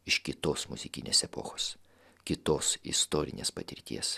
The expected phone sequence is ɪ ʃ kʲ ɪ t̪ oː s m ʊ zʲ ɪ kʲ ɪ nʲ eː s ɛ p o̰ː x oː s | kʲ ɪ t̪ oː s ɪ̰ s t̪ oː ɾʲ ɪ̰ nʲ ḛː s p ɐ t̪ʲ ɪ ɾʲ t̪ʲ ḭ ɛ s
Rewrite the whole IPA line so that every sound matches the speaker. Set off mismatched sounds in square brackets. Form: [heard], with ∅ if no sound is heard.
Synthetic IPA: ɪ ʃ kʲ ɪ t̪ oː s m ʊ zʲ ɪ kʲ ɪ nʲ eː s ɛ p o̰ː x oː s | kʲ ɪ t̪ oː s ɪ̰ s t̪ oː ɾʲ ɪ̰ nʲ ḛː s p ɐ t̪ʲ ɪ ɾʲ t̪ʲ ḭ ɛ s